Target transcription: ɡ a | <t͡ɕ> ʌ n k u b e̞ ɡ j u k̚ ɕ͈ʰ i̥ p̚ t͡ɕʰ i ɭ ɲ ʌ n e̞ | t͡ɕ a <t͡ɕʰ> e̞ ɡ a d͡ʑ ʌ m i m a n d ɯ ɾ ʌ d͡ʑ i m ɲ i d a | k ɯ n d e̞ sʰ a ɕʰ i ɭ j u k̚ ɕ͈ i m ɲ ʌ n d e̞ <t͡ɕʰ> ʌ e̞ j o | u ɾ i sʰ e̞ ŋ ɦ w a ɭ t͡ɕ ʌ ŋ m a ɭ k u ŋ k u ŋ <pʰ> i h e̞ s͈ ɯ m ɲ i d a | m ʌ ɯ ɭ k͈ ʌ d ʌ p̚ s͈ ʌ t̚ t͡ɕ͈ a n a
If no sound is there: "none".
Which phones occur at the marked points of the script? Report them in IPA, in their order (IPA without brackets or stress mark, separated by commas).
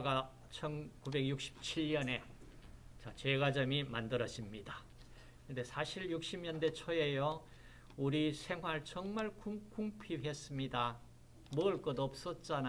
t͡ɕʰ, t͡ɕ, t͡ɕʰ, pʰ